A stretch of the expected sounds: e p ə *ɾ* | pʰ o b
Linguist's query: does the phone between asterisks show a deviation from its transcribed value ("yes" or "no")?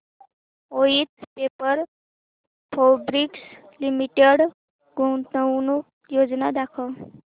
no